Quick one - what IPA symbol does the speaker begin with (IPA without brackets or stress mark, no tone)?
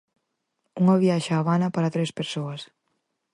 u